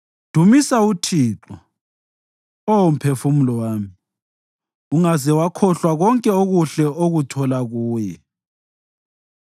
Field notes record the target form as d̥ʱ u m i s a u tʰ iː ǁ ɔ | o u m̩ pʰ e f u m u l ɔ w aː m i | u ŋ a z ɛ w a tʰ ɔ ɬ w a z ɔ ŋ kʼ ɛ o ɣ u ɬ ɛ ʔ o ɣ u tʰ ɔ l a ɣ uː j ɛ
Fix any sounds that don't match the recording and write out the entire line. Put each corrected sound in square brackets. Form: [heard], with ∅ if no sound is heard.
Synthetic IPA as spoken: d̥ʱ u m i s a u tʰ iː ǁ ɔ | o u m̩ pʰ e f u m u l ɔ w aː m i | u ŋ a z ɛ w a [kʰ] ɔ ɬ w a [ɣ] ɔ ŋ kʼ ɛ o ɣ u ɬ ɛ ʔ o ɣ u tʰ ɔ l a ɣ uː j ɛ